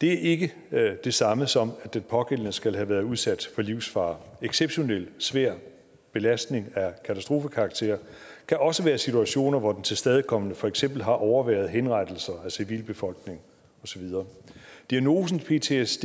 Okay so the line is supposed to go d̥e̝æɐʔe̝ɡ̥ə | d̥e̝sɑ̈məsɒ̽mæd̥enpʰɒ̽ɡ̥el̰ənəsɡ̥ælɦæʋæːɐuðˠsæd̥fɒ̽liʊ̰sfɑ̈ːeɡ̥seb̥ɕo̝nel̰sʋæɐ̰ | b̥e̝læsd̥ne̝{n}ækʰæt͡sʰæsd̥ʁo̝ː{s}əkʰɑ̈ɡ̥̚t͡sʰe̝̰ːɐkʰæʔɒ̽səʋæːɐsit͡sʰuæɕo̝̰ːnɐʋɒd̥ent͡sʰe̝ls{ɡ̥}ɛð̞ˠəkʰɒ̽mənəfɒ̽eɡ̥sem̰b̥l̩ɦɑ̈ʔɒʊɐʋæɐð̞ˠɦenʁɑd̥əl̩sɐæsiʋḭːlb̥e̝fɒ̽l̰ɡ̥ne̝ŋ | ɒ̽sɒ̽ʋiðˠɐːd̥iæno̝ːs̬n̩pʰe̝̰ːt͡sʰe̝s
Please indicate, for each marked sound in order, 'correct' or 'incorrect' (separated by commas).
incorrect, incorrect, incorrect